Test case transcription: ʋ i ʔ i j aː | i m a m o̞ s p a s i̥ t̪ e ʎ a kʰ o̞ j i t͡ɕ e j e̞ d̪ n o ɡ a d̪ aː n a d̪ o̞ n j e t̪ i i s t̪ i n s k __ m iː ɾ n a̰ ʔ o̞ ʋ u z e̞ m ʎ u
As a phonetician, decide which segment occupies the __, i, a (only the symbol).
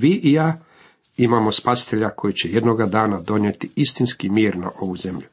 i